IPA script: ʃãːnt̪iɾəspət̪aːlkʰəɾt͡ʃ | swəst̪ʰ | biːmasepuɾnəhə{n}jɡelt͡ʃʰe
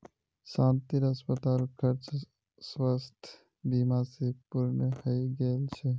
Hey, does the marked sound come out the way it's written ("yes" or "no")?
no